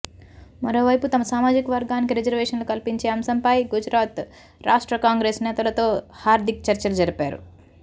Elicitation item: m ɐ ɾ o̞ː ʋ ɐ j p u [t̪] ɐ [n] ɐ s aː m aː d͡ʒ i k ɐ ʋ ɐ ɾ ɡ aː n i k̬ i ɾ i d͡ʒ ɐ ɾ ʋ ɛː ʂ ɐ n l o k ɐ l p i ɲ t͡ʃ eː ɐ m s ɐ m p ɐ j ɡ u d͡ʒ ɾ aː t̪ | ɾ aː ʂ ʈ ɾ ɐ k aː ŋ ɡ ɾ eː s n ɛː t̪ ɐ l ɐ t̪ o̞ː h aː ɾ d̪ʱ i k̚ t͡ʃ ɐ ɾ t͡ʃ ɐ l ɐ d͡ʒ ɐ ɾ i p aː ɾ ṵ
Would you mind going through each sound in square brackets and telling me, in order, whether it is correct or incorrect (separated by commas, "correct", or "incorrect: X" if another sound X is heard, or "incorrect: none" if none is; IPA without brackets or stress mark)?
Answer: correct, incorrect: m